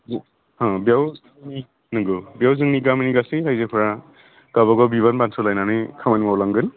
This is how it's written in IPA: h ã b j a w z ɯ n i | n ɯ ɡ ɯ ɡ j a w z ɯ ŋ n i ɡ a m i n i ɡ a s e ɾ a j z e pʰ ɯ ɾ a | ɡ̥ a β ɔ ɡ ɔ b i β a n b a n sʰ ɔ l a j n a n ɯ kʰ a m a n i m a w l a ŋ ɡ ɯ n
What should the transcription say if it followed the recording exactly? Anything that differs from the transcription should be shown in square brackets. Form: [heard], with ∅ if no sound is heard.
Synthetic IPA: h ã b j a w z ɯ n i | n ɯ ɡ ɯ [b] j a w z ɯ ŋ n i ɡ a m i n i ɡ a s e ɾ a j z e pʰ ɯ ɾ a | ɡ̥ a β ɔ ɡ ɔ b i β a n b a n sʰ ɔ l a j n a n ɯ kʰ a m a n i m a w l a ŋ ɡ ɯ n